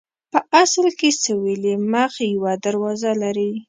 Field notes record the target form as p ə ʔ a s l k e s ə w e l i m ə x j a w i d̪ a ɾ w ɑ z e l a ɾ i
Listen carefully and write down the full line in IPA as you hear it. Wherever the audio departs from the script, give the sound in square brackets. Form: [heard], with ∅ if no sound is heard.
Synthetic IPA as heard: p ə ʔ a s l k e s ə w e l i m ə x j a w [a] d̪ a ɾ w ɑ z [a] l a ɾ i